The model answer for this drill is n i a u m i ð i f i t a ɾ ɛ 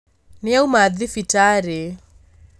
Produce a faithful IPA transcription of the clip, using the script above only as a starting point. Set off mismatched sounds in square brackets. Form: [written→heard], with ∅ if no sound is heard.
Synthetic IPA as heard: n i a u m [i→a] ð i f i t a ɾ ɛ